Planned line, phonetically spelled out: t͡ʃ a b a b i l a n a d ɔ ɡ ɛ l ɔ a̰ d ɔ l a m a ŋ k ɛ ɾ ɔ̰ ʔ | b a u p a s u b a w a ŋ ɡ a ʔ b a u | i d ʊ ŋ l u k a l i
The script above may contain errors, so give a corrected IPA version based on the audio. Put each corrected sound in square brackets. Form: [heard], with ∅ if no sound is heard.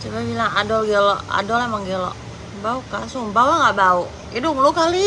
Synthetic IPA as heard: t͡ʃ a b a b i l a [ŋ] a d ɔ ɡ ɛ l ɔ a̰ d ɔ l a m a ŋ [ɡ] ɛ [l] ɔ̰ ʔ | b a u [k] a s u b a w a ŋ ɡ a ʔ b a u | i d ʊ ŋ l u k a l i